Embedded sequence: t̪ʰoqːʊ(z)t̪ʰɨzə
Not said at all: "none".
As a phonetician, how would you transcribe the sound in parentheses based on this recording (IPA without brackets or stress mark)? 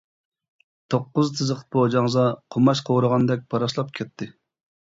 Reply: z